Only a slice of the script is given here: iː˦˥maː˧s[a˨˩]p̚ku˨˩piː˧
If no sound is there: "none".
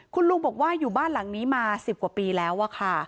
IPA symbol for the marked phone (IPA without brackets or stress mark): i˨˩